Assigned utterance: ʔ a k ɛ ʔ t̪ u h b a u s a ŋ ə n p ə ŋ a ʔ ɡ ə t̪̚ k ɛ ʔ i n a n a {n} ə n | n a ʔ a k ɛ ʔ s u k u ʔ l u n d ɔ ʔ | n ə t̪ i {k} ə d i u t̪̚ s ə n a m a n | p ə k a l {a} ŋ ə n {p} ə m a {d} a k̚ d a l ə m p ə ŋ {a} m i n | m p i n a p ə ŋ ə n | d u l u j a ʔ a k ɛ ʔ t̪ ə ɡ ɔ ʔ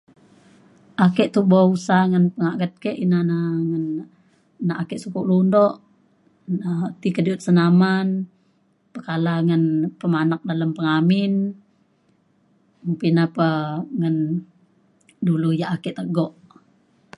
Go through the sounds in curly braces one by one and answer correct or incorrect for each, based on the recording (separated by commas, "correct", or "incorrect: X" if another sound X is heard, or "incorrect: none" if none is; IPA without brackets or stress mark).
incorrect: ŋ, correct, correct, correct, incorrect: n, correct